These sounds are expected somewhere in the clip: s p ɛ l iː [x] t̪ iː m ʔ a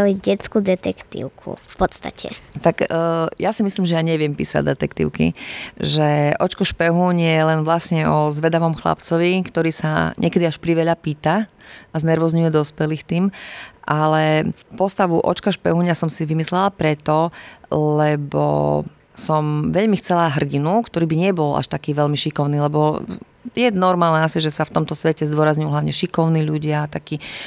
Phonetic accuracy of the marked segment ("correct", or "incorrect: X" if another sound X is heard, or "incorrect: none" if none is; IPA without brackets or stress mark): correct